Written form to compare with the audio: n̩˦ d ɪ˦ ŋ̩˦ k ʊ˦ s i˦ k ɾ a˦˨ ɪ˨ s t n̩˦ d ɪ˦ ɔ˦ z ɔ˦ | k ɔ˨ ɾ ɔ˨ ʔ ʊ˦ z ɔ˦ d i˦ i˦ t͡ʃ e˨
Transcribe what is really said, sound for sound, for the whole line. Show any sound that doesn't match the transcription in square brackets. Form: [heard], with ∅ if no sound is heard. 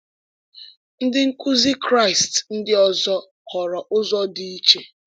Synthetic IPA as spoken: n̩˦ d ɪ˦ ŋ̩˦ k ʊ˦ [z] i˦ k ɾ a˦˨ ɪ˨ s t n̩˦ d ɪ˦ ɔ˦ z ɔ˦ | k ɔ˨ ɾ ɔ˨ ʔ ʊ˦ z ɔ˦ d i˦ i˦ t͡ʃ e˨